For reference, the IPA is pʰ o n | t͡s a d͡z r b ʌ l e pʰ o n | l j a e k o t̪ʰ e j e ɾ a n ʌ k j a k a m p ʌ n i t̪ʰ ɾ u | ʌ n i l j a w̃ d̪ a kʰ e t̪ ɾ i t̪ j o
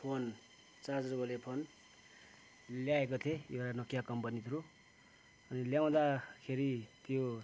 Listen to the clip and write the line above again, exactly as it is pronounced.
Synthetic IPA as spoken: pʰ o n | t͡s a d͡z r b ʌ l e pʰ o n | l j a e k o t̪ʰ e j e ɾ a n ʌ k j a k ʌ m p ʌ n i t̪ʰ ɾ u | ʌ n i l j a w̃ d̪ a kʰ e ɾ i t̪ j o